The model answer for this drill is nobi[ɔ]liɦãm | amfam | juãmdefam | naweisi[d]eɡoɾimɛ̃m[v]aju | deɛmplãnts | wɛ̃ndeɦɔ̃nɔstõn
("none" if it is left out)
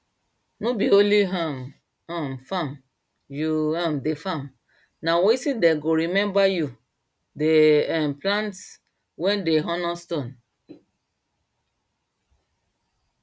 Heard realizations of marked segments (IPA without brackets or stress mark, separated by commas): o, d, b